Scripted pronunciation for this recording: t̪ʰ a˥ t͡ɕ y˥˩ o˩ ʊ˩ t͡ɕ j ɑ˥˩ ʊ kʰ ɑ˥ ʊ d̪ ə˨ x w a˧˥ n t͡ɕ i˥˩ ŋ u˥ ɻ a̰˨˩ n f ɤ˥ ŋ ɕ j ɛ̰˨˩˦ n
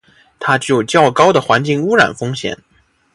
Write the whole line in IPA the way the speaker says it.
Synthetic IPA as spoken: t̪ʰ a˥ t͡ɕ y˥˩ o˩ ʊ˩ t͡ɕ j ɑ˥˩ ʊ k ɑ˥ ʊ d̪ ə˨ x w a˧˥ n t͡ɕ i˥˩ ŋ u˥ ɻ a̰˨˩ n f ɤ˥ ŋ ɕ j ɛ̰˨˩˦ n